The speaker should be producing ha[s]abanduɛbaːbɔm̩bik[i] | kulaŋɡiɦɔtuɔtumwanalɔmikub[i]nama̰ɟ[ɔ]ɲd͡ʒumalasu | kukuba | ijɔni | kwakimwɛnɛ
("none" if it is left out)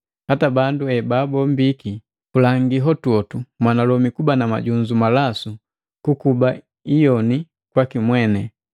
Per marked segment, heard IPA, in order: t, i, a, u

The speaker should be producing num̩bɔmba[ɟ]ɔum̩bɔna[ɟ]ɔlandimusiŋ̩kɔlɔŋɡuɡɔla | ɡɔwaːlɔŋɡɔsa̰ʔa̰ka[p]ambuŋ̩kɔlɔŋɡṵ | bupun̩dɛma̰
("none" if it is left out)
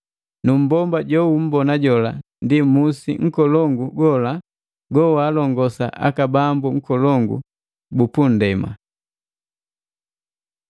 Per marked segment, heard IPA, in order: ɟ, ɟ, b

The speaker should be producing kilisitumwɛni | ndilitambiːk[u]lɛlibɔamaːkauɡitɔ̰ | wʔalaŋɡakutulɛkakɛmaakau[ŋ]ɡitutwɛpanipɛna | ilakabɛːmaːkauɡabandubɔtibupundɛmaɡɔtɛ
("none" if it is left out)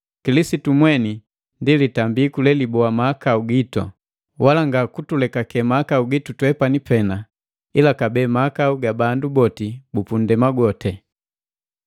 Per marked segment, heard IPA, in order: u, none

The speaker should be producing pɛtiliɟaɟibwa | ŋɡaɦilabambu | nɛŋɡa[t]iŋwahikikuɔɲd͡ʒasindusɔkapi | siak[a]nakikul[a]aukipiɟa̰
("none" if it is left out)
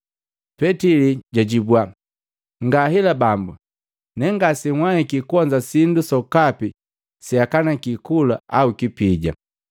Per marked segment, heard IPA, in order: s, a, a

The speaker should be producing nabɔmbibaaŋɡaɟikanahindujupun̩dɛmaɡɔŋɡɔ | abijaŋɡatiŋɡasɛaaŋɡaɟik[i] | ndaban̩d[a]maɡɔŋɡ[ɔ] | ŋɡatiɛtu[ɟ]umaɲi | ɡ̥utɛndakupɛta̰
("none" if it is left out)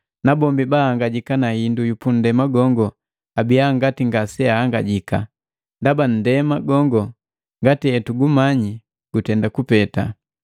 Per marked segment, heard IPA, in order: a, ɛ, ɔ, ɡ

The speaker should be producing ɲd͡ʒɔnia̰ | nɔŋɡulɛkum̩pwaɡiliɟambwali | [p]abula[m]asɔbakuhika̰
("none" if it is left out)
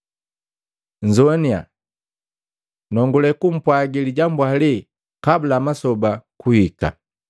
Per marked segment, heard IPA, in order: k, m

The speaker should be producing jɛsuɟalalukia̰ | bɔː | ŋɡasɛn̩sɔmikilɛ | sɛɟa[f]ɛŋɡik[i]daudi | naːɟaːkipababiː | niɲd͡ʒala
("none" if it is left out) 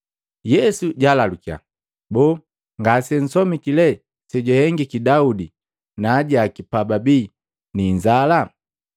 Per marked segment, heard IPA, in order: h, i

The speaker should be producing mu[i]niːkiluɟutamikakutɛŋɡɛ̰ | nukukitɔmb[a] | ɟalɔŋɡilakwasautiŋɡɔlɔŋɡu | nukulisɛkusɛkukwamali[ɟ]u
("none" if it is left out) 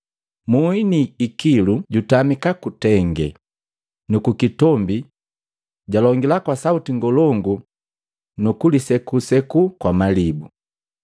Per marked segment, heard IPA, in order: i, i, b

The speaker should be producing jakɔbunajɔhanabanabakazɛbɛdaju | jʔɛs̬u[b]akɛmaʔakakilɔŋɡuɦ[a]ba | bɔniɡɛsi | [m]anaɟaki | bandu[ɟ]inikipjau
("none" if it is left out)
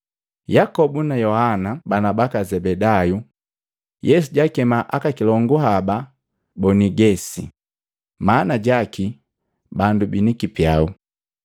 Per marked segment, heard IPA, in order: ɟ, a, m, b

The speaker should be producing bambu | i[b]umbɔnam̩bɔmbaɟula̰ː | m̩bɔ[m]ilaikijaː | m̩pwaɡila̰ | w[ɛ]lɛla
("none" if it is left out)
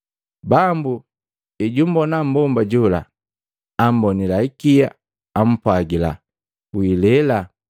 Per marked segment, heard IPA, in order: ɟ, n, i

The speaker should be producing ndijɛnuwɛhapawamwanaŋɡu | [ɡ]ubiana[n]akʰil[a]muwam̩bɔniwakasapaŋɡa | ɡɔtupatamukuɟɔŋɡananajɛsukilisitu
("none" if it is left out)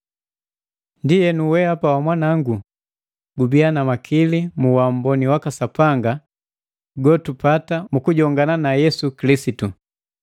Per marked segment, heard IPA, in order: ɡ, m, i

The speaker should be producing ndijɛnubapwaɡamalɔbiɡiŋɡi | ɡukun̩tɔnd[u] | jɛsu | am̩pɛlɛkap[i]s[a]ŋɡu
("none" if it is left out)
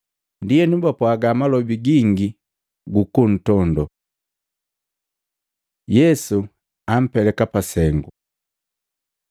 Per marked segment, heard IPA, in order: ɔ, a, ɛ

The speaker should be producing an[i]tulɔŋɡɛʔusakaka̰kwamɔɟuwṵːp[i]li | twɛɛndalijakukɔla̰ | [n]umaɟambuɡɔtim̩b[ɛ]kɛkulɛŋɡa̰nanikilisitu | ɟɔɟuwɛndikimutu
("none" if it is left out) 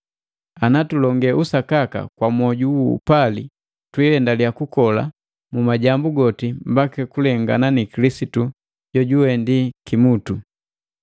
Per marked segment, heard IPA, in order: a, a, m, a

